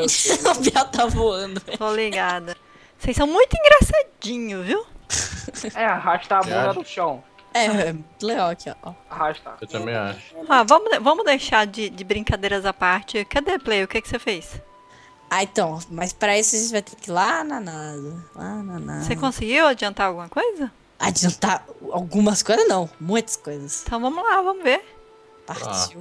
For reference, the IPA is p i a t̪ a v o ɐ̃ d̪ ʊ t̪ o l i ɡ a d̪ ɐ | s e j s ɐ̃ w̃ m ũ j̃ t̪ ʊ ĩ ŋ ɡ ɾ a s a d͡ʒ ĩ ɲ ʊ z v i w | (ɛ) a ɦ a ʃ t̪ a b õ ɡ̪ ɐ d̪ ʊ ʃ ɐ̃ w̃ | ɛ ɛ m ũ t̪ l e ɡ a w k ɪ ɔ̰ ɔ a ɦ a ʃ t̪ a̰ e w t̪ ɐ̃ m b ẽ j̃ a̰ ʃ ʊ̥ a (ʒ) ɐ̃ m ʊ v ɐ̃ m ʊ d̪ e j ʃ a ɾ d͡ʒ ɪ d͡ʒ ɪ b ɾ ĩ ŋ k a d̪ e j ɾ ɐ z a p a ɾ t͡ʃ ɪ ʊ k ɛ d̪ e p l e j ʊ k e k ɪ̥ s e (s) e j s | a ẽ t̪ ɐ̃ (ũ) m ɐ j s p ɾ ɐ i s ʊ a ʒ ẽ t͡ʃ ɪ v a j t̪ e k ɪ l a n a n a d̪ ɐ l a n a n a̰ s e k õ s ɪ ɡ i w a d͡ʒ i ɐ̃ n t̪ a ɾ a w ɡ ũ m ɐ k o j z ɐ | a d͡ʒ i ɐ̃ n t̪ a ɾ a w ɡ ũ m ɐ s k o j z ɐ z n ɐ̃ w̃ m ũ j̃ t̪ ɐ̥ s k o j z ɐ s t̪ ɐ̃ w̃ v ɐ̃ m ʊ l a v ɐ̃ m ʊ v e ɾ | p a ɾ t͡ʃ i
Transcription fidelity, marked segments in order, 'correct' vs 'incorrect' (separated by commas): correct, incorrect, incorrect, incorrect